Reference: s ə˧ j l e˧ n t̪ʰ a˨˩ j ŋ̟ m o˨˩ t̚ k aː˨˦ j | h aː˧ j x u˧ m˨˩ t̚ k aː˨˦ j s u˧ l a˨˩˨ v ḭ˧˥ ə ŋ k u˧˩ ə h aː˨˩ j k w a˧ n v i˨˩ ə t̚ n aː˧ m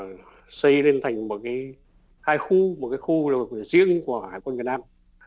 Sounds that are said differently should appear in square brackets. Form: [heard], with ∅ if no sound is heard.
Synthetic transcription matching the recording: s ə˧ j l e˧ n t̪ʰ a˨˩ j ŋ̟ m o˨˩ t̚ k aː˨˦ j | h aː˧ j x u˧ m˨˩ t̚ k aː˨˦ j [x] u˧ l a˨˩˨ [z] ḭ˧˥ ə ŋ k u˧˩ ə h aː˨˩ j k w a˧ n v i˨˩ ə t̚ n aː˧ m

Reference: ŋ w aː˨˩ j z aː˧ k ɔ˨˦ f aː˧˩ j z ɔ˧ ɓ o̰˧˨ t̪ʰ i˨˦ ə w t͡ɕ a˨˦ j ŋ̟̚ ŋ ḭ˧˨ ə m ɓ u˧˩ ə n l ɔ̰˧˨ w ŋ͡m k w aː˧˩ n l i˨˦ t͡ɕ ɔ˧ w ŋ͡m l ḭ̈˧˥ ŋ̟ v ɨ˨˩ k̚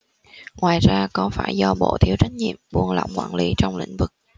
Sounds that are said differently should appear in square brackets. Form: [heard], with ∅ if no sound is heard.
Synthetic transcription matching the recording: ŋ w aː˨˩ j z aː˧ k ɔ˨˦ f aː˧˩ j z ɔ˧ ɓ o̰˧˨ t̪ʰ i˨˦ ə w t͡ɕ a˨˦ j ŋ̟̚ [ɲ] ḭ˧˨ ə m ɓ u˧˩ ə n l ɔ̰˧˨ w ŋ͡m k w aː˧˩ n l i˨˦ t͡ɕ ɔ˧ w ŋ͡m l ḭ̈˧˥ ŋ̟ v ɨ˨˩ k̚

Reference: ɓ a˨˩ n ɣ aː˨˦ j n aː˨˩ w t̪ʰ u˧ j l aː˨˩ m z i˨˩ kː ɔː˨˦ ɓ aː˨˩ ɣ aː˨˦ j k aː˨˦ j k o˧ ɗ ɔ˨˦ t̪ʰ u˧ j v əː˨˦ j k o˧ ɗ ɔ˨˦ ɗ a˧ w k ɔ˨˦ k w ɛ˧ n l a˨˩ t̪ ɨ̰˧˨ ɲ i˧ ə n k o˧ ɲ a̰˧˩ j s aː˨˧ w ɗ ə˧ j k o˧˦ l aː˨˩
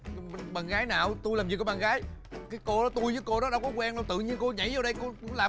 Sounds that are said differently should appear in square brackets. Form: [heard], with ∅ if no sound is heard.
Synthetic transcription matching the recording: ɓ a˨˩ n ɣ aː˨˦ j n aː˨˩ w [t̪] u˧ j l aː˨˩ m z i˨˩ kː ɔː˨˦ ɓ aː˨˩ ɣ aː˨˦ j k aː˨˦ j k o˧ ɗ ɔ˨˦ [t̪] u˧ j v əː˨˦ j k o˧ ɗ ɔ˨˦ ɗ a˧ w k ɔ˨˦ k w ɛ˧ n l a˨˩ t̪ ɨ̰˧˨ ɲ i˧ ə n k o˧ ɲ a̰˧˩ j [z] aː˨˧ w ɗ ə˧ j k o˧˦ l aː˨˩

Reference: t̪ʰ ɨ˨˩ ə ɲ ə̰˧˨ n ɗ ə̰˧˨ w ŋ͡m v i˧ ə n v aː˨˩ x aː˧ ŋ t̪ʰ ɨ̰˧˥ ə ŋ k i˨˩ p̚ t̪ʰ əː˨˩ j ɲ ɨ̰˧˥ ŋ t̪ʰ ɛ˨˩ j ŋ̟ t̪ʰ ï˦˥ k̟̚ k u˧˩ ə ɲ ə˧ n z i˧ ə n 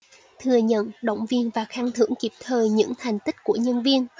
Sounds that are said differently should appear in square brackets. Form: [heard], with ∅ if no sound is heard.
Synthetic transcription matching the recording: t̪ʰ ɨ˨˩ ə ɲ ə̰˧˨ n ɗ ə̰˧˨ w ŋ͡m v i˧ ə n v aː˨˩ x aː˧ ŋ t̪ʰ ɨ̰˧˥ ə ŋ k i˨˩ p̚ t̪ʰ əː˨˩ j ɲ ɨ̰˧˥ ŋ t̪ʰ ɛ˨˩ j ŋ̟ [t̪] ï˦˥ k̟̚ k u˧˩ ə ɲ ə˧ n [v] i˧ ə n

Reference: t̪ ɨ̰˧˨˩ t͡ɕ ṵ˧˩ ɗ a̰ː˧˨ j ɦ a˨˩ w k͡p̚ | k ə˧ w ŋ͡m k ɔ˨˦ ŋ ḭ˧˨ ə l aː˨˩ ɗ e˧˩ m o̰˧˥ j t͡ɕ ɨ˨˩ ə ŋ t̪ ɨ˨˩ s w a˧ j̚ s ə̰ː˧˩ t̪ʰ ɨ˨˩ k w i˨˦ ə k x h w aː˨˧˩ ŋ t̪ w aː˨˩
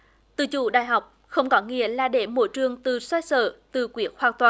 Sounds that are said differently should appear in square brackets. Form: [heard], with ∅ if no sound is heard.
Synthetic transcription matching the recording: t̪ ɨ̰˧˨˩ t͡ɕ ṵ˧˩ ɗ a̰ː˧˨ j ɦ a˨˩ w k͡p̚ | [x] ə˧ w ŋ͡m k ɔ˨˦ ŋ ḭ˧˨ ə l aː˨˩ ɗ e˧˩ m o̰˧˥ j t͡ɕ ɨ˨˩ ə ŋ t̪ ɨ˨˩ s w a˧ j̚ s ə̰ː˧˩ [t̪] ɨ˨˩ k w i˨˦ ə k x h w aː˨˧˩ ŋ t̪ w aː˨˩

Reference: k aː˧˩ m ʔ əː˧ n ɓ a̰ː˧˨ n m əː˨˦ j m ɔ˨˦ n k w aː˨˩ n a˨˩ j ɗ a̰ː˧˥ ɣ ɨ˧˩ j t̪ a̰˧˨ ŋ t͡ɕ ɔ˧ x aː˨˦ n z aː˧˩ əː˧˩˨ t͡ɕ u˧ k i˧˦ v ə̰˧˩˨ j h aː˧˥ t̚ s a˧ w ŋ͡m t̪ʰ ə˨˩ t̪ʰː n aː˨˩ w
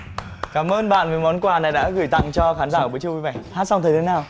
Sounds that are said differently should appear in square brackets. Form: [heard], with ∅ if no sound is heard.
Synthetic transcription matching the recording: k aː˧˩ m ʔ əː˧ n ɓ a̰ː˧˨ n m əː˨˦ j m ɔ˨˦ n k w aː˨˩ n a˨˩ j ɗ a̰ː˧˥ ɣ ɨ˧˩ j t̪ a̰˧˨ ŋ t͡ɕ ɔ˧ x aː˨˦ n z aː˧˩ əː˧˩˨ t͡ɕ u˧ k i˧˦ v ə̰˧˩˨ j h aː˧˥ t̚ s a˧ w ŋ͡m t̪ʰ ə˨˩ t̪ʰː n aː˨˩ w

